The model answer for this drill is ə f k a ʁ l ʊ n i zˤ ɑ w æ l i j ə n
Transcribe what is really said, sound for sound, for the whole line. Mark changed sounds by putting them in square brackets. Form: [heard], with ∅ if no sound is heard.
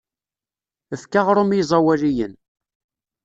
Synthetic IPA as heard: ə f k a ʁ [ɾ] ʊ [m] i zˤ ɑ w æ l i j ə n